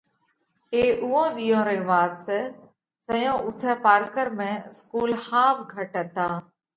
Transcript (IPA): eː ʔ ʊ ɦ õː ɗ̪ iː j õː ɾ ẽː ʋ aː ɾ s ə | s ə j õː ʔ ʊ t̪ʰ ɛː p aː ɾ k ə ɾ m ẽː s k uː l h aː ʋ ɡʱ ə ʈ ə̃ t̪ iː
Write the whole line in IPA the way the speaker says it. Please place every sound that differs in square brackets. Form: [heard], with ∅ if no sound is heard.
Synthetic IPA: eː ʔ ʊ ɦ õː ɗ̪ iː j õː ɾ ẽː ʋ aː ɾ s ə | s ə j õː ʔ ʊ t̪ʰ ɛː p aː ɾ k ə ɾ m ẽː s k uː l h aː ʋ ɡʱ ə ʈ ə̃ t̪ [aː]

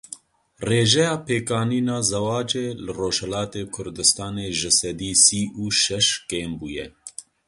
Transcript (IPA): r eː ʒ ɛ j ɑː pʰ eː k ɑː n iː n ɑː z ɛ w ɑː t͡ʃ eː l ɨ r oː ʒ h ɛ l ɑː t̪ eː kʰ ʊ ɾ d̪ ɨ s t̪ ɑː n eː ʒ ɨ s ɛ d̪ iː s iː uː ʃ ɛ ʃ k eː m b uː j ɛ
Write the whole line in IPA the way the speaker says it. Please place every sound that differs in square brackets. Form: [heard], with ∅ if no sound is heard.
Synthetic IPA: r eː ʒ ɛ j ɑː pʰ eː k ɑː n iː n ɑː z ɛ w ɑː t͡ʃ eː l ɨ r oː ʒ h ɛ l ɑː t̪ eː kʰ ʊ ɾ d̪ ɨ s t̪ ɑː n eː ʒ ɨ s ɛ d̪ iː s iː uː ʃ ɛ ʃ k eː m b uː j ɛ

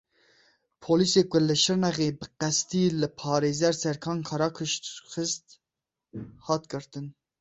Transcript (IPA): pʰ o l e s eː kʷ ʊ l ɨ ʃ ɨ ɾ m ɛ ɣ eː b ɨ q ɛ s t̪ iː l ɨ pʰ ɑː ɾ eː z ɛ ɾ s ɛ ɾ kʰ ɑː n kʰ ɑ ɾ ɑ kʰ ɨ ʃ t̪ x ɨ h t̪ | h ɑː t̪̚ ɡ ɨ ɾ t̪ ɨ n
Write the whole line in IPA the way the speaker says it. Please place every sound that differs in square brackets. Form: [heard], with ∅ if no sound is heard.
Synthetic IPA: pʰ o l [i] s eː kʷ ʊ l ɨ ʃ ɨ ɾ [n] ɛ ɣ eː b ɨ q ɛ s t̪ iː l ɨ pʰ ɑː ɾ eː z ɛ ɾ s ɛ ɾ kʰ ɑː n kʰ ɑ ɾ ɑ kʰ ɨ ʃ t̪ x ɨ [s] t̪ | h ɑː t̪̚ ɡ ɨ ɾ t̪ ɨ n

